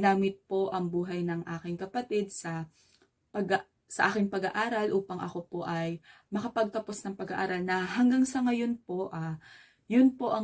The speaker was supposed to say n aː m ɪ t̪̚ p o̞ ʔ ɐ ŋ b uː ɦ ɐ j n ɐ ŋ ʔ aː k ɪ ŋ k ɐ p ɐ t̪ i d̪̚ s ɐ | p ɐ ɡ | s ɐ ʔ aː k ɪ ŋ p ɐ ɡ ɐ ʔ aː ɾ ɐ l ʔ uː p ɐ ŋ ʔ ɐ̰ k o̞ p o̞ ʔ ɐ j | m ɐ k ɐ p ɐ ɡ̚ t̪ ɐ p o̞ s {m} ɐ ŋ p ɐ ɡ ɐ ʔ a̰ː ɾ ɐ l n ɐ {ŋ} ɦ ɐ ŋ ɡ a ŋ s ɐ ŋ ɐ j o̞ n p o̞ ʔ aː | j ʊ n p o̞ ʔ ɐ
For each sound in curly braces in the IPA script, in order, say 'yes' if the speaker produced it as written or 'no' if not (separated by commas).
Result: no, no